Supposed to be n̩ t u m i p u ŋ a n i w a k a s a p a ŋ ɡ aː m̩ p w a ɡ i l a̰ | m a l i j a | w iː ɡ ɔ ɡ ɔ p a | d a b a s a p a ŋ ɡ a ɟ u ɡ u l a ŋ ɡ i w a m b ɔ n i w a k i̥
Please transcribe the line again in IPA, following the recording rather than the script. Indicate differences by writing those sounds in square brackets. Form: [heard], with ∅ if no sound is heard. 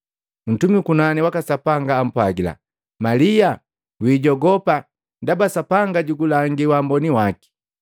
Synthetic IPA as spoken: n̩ t u m i [k] u [n] a n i w a k a s a p a ŋ ɡ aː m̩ p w a ɡ i l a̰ | m a l i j a | w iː [ɟ] ɔ ɡ ɔ p a | d a b a s a p a ŋ ɡ a ɟ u ɡ u l a ŋ ɡ i w a m b ɔ n i w a k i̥